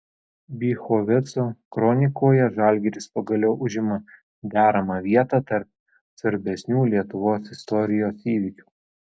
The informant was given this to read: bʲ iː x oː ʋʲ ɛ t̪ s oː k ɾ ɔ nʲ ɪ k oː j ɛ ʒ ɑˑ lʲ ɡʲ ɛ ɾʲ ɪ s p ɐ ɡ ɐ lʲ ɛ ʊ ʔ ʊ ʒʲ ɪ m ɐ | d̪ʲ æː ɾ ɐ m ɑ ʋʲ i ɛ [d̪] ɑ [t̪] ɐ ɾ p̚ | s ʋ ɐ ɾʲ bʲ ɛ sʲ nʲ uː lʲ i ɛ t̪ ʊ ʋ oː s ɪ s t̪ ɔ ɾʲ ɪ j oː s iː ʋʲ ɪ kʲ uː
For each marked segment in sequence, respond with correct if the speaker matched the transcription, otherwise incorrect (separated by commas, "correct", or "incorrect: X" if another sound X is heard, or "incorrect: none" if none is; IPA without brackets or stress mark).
incorrect: t̪, correct